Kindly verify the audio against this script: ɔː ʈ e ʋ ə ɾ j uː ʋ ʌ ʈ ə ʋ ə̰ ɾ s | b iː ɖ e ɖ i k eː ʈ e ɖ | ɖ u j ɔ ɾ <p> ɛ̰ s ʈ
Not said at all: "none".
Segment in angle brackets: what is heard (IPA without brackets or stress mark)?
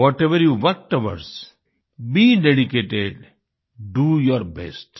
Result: b